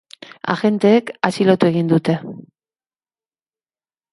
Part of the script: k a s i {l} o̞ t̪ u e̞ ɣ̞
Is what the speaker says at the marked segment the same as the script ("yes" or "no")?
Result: yes